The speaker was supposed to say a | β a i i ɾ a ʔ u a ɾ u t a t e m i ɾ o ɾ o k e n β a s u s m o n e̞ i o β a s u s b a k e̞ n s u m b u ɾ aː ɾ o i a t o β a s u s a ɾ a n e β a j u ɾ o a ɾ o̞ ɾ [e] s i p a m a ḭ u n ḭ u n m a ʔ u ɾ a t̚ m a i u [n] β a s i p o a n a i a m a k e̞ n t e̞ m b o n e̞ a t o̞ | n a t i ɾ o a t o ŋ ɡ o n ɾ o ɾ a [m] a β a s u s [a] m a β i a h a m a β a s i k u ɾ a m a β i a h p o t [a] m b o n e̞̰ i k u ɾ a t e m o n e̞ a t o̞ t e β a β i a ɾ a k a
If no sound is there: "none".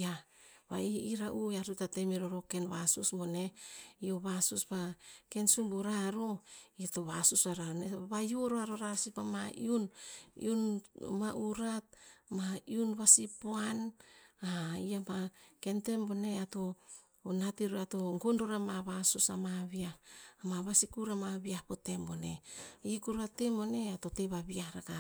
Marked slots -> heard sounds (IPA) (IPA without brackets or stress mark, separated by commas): a, n, m, a, e